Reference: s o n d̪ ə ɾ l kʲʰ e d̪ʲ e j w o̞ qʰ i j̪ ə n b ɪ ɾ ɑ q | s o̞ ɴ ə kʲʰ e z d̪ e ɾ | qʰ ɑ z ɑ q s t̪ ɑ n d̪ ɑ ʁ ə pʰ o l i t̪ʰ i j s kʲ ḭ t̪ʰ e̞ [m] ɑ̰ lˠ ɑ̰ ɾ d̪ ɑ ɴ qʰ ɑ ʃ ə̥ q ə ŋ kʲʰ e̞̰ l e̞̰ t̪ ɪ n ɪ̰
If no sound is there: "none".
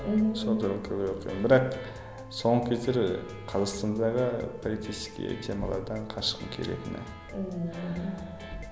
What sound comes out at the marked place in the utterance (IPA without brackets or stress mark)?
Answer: m